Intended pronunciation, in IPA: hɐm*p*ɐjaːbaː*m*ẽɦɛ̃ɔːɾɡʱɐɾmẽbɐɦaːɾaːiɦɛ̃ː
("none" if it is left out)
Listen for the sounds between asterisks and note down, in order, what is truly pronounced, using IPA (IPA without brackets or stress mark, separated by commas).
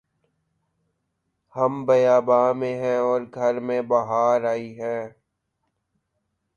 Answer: b, m